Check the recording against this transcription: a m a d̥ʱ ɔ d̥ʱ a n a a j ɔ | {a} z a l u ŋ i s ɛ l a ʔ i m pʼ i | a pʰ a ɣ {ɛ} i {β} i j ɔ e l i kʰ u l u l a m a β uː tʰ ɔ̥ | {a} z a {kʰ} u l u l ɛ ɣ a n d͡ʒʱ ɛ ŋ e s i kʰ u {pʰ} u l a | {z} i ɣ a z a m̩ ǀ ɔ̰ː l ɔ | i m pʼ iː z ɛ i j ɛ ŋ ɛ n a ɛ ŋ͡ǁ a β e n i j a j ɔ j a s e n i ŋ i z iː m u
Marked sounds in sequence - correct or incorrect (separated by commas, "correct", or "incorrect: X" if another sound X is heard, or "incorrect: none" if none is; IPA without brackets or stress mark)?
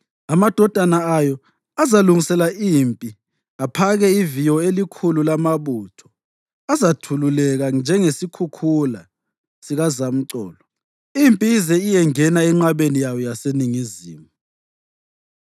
correct, correct, incorrect: v, correct, incorrect: tʰ, incorrect: kʰ, incorrect: s